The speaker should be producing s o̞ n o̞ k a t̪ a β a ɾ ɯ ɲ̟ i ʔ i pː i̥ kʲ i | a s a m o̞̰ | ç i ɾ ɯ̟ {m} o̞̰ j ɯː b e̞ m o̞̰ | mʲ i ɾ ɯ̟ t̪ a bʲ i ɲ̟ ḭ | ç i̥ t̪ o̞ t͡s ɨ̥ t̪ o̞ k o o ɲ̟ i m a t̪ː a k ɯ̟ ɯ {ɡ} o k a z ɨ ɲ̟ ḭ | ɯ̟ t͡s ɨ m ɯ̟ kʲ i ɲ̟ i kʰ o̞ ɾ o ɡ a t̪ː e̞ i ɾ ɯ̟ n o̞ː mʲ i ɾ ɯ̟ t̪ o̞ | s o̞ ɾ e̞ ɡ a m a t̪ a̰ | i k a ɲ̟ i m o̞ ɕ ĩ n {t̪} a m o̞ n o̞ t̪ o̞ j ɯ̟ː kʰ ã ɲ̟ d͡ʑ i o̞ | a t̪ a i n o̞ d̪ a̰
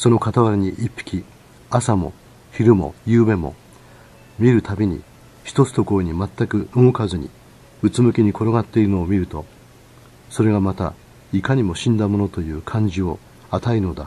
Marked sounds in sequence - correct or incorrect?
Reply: correct, incorrect, incorrect

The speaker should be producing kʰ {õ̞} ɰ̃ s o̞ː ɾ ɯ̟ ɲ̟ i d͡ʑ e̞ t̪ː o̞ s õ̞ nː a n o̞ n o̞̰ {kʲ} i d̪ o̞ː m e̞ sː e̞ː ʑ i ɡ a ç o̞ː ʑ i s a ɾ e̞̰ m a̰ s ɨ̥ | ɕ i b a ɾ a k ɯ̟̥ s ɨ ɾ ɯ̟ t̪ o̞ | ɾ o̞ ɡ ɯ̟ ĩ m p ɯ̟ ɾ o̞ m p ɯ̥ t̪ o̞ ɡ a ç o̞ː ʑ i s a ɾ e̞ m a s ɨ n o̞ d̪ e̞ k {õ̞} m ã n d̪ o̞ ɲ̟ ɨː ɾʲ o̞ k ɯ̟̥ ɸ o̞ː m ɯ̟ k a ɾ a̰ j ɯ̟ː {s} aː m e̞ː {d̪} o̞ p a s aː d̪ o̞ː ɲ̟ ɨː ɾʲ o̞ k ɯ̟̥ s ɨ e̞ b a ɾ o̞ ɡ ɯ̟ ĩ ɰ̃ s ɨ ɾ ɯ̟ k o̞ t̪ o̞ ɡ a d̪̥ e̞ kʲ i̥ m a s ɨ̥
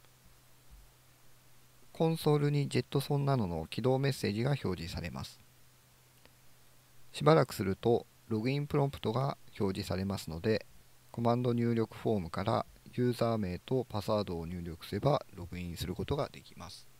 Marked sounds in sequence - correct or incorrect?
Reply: correct, correct, incorrect, incorrect, incorrect

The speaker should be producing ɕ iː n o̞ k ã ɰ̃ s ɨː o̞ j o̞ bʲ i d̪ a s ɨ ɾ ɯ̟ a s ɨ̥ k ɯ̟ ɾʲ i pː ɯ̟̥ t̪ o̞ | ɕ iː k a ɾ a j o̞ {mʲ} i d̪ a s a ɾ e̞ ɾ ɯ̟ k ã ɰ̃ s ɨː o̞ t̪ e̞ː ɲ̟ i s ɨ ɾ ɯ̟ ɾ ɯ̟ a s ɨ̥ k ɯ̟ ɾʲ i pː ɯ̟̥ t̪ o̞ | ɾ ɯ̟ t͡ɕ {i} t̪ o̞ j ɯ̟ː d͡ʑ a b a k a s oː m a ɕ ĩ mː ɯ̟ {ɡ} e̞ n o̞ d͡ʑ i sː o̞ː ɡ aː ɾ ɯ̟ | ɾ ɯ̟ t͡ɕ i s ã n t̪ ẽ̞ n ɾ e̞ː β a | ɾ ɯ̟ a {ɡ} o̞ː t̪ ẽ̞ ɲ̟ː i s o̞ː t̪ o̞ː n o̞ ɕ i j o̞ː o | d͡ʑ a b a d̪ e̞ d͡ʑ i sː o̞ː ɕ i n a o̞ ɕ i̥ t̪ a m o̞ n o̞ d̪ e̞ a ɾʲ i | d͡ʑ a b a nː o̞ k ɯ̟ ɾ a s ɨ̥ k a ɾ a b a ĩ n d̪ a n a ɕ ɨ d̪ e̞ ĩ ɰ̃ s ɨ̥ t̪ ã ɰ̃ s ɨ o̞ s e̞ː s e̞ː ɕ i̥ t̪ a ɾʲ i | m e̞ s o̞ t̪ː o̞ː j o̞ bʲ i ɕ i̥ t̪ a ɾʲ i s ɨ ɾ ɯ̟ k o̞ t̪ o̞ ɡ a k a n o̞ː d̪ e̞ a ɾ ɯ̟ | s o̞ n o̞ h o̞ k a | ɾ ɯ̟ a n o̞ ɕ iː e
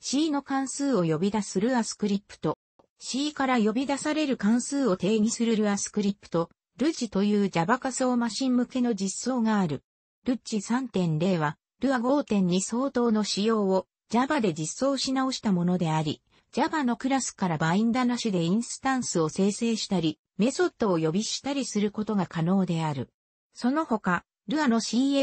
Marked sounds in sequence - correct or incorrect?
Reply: incorrect, correct, incorrect, correct

